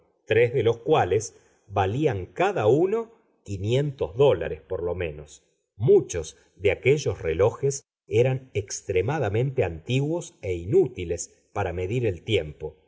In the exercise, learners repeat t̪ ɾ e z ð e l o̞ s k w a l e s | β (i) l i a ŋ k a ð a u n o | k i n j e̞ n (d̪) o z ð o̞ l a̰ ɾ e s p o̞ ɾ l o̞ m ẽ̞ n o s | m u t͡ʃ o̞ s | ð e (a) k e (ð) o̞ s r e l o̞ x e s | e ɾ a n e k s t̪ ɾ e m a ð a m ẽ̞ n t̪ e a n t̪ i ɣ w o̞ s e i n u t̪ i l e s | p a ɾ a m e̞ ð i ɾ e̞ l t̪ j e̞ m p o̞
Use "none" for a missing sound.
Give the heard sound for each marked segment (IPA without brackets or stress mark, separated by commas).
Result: a, t̪, a, ʒ